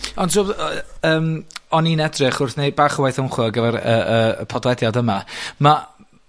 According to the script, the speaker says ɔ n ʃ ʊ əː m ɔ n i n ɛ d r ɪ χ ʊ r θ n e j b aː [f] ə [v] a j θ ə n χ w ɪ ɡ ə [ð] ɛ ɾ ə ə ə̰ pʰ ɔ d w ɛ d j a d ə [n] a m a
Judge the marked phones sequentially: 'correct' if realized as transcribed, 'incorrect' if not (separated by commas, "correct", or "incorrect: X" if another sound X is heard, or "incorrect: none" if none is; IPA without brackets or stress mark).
incorrect: χ, incorrect: w, incorrect: v, incorrect: m